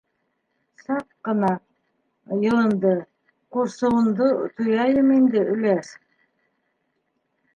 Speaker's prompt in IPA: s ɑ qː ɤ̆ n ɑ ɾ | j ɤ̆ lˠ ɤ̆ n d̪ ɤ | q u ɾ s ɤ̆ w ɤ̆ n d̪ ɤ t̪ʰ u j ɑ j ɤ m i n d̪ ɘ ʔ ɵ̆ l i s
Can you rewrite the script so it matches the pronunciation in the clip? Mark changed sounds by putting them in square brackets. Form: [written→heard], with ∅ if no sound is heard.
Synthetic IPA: s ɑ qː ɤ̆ n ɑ [ɾ→∅] | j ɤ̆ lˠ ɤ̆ n d̪ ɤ | q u ɾ s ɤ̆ w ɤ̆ n d̪ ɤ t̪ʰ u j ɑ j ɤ m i n d̪ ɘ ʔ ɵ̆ l [i→æ] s